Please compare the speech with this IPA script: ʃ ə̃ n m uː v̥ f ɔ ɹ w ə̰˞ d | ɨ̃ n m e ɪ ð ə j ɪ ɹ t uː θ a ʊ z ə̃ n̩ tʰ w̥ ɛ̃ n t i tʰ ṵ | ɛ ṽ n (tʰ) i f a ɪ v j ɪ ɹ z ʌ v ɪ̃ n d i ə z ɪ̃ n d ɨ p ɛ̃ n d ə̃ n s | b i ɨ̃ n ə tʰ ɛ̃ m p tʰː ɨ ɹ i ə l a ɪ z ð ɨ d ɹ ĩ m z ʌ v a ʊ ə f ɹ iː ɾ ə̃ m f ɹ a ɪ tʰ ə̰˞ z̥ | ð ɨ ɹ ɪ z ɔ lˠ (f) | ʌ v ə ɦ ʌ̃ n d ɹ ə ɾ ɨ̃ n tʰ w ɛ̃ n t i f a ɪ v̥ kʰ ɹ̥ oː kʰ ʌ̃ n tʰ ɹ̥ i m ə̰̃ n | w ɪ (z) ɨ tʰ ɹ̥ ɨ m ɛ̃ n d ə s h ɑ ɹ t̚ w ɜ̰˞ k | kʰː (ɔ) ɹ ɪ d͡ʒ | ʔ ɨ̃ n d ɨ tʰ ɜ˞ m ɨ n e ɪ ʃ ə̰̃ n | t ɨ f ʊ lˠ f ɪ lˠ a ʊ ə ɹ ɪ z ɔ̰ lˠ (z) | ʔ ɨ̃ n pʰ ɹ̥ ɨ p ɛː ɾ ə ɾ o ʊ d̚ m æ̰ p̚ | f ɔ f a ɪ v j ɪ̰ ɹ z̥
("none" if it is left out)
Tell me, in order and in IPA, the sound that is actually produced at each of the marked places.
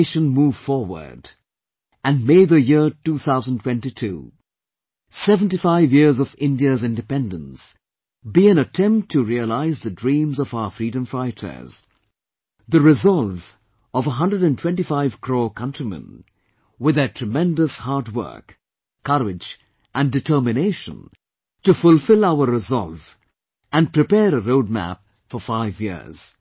t, v, ð, ʌ, v

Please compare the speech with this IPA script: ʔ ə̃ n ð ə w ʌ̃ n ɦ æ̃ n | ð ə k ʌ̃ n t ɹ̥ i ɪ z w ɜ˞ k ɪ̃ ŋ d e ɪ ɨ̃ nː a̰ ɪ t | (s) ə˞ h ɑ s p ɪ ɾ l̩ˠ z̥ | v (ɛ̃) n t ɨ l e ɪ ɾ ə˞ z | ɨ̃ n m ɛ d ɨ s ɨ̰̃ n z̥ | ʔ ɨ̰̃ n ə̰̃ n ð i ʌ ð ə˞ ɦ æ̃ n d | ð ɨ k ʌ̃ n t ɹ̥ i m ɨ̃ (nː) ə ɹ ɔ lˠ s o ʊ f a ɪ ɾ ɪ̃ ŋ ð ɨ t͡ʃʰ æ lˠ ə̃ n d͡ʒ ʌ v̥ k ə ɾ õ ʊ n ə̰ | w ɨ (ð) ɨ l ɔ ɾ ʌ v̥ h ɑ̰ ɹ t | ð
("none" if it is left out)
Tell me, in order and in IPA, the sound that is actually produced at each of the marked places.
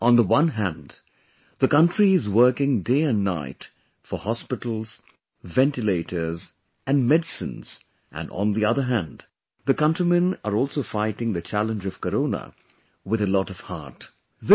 f, ɛ̃, n, ð

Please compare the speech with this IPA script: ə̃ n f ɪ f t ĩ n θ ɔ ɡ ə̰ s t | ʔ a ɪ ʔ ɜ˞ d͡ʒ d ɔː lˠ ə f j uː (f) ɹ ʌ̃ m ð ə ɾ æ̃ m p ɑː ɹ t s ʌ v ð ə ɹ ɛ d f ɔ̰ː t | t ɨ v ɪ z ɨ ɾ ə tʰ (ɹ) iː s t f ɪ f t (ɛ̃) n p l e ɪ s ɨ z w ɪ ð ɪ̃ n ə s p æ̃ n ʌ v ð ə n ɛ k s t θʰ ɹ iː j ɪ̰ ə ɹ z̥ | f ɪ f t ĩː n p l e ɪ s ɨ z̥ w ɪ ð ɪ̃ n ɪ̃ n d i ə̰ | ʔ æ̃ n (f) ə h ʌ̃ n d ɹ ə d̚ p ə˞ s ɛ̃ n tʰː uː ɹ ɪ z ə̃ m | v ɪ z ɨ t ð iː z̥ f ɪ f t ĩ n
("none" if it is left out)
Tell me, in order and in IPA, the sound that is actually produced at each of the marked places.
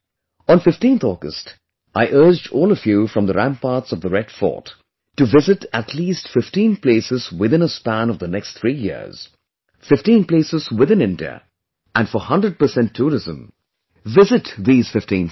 f, l, ĩ, f

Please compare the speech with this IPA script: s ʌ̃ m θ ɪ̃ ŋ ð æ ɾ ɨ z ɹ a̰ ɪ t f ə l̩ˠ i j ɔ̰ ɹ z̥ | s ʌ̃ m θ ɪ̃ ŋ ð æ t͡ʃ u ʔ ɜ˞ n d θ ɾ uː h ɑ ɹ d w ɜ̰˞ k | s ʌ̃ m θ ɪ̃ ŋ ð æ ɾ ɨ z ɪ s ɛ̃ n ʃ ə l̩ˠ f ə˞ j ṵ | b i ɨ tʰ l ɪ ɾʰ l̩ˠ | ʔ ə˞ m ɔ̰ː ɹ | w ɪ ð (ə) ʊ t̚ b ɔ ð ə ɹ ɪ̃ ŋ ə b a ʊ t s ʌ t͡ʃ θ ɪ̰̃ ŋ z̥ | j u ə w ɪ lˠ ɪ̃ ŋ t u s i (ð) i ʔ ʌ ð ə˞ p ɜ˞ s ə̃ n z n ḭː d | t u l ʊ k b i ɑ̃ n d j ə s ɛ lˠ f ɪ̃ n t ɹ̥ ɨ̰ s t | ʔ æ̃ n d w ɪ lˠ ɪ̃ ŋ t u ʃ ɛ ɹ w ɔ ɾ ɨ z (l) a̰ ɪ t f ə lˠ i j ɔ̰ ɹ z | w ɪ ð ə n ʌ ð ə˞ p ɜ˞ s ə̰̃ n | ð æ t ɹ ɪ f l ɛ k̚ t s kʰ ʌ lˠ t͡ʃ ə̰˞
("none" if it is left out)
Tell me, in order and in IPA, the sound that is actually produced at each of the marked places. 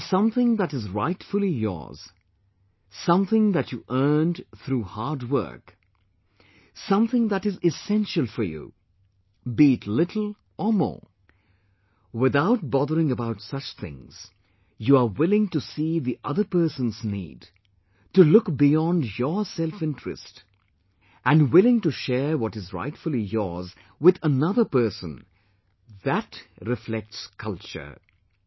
a, ð, ɹ

